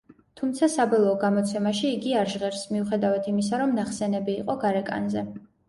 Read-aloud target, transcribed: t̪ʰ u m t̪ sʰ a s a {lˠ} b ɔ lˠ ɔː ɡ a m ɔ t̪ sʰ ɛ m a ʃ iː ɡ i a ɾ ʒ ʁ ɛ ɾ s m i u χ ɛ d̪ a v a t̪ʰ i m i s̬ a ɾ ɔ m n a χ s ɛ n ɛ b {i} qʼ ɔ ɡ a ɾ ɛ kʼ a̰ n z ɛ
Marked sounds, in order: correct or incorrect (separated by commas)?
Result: incorrect, incorrect